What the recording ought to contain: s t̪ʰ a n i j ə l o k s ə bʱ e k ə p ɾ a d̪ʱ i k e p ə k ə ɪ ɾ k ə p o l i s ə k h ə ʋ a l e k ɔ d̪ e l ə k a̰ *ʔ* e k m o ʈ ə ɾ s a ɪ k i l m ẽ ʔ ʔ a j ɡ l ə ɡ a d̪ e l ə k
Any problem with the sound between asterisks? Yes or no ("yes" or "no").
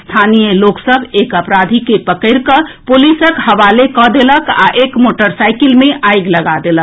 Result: no